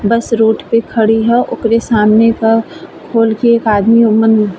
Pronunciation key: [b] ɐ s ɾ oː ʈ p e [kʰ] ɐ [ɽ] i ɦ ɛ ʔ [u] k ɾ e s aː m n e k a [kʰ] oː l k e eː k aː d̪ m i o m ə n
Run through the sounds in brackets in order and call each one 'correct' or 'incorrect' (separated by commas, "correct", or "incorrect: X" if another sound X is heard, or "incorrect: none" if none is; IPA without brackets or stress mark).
correct, correct, correct, incorrect: ʊ, correct